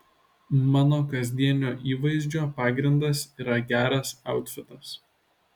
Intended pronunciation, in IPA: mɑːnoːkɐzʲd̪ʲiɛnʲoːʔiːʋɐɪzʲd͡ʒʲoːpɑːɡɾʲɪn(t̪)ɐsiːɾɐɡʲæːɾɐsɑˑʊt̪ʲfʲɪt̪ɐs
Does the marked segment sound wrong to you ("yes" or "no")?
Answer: yes